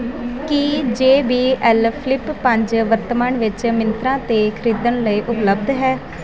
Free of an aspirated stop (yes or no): no